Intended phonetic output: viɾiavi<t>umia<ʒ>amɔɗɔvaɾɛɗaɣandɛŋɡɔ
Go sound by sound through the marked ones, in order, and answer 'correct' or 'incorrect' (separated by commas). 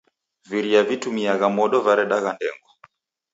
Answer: correct, incorrect